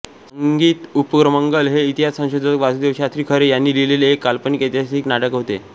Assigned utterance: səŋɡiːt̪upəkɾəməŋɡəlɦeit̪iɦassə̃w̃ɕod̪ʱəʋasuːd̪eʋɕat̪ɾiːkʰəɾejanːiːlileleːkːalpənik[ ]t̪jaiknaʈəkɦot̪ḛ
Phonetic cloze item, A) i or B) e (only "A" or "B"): B